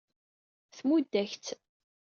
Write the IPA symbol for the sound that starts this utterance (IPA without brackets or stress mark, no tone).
θ